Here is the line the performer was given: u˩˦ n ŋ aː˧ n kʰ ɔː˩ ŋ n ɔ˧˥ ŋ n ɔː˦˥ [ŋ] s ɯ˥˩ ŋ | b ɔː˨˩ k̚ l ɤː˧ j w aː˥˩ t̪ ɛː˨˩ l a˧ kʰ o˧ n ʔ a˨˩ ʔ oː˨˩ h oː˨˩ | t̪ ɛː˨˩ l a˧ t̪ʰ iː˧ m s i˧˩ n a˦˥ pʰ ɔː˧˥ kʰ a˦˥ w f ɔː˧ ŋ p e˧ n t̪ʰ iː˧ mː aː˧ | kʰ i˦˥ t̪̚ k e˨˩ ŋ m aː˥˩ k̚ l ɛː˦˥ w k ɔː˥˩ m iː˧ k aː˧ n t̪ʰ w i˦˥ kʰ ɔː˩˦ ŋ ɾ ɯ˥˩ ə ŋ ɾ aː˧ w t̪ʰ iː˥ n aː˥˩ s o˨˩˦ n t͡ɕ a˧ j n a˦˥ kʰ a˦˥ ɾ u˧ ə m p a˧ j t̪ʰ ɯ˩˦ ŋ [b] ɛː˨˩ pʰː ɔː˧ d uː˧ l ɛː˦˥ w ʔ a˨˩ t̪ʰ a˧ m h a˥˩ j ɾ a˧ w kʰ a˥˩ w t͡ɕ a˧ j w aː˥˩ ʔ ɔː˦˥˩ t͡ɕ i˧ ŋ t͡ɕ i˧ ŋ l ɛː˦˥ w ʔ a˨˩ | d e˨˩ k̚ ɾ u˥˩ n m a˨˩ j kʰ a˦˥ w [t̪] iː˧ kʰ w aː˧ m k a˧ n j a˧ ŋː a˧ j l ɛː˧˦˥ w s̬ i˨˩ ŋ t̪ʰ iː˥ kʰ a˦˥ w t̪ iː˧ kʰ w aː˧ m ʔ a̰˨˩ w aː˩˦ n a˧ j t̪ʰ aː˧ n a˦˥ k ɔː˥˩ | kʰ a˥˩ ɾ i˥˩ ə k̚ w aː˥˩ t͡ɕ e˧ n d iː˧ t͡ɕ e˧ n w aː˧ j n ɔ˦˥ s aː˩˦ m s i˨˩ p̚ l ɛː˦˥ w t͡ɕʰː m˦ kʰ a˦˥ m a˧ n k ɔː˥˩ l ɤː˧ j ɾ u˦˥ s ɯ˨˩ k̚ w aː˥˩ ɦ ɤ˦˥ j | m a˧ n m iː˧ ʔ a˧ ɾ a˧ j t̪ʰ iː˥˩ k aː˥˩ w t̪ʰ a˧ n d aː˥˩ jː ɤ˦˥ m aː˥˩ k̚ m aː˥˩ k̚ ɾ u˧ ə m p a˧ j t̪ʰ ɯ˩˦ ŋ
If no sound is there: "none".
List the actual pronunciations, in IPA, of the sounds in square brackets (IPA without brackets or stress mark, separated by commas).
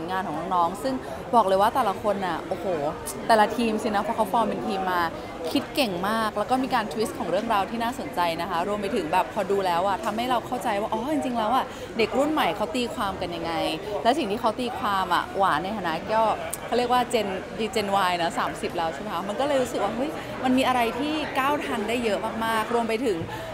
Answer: ŋ, b, t̪